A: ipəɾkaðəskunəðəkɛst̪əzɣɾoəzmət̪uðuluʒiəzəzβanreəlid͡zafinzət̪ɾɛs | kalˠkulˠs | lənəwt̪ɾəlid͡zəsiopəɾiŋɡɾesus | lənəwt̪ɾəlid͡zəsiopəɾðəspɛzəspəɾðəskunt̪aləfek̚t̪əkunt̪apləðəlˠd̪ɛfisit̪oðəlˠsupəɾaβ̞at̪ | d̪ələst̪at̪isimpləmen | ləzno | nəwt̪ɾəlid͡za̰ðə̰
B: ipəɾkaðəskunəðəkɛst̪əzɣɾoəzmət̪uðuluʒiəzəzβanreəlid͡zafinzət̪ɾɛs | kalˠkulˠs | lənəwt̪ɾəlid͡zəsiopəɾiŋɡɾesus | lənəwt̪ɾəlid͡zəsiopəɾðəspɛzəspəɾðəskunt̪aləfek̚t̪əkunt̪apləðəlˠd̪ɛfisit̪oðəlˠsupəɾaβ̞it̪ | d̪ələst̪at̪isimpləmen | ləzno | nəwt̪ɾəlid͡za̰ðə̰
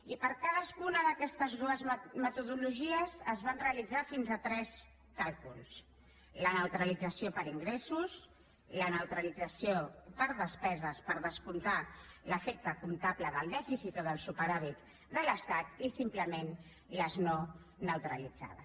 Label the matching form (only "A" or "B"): B